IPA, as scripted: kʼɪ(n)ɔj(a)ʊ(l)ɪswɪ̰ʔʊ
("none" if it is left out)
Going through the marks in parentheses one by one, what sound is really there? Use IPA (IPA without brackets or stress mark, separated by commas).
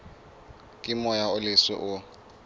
m, a, l